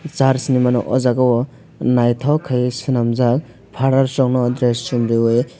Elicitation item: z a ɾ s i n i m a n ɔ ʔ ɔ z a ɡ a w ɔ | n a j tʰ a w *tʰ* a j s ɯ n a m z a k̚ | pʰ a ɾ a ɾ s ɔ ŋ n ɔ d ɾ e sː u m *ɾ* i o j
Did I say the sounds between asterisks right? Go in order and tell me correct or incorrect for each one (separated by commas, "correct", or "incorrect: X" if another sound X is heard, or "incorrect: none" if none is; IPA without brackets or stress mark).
incorrect: kʰ, correct